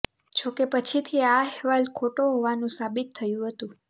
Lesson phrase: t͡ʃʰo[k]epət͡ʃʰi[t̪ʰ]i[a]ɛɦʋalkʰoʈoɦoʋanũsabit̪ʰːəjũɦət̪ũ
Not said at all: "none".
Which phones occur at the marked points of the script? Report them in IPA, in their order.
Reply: k, t̪ʰ, a

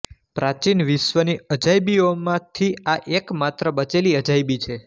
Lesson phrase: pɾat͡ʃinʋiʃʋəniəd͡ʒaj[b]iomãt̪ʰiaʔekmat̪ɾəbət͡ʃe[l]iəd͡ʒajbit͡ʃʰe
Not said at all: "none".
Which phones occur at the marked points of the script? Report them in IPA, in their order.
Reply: b, l

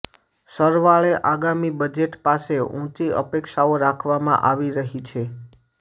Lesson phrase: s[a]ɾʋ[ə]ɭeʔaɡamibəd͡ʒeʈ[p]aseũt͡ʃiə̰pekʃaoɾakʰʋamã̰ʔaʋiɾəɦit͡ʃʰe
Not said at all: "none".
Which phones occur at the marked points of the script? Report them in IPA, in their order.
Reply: ə, a, p

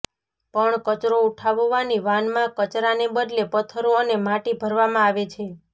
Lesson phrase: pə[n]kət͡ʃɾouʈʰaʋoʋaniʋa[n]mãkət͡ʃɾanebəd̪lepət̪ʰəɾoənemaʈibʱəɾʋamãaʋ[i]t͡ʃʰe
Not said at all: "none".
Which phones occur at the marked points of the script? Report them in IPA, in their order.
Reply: ɳ, n, e

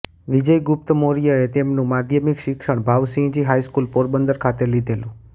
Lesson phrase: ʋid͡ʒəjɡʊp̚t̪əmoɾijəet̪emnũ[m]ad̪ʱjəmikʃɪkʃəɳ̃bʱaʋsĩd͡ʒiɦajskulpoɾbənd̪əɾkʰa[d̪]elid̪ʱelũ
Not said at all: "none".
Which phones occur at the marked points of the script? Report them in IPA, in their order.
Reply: m, t̪

